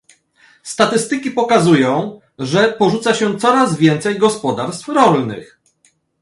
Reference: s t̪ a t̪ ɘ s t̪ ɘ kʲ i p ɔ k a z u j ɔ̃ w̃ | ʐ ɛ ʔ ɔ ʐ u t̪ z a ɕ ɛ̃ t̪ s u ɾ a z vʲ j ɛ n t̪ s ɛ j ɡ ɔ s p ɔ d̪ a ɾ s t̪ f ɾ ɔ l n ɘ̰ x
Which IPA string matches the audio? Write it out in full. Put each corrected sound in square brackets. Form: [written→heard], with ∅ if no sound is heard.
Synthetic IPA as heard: s t̪ a t̪ ɘ s t̪ ɘ kʲ i p ɔ k a z u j ɔ̃ w̃ | ʐ ɛ [ʔ→p] ɔ ʐ u t̪ [z→s] a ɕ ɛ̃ t̪ s [u→ɔ] ɾ a z vʲ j ɛ n t̪ s ɛ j ɡ ɔ s p ɔ d̪ a ɾ s t̪ f ɾ ɔ l n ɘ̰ x